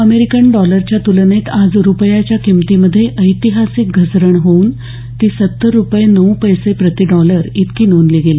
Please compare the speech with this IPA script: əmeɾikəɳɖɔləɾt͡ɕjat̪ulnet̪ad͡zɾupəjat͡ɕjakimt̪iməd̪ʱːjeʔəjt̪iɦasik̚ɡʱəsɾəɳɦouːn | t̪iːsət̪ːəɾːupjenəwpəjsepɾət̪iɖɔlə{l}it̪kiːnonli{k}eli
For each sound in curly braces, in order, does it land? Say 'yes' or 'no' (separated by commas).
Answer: no, no